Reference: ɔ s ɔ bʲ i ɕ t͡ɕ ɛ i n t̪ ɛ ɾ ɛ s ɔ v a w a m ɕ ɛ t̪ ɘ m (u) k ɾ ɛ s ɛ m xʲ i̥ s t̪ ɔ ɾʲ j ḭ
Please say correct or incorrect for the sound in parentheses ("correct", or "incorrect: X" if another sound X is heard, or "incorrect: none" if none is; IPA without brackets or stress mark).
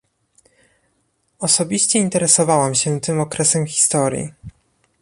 incorrect: ɔ